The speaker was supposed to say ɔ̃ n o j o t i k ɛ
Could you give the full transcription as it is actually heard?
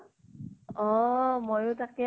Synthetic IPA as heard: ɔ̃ m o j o t a k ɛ